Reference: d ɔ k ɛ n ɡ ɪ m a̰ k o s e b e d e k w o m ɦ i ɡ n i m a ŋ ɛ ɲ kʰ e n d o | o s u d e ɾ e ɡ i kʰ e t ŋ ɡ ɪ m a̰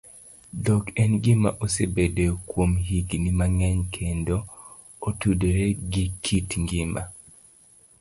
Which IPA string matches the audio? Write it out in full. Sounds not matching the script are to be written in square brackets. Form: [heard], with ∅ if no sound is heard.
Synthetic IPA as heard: d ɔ k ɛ n ɡ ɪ m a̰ [ʔ] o s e b e d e k w o m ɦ i ɡ n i m a ŋ ɛ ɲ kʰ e n d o | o [t] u d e ɾ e ɡ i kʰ [i] t ŋ ɡ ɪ m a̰